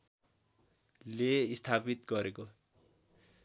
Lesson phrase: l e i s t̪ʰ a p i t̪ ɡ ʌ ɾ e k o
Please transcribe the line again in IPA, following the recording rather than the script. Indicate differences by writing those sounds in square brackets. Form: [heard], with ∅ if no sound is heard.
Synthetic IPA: l e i s t̪ʰ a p i t̪ ɡ ʌ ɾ e k o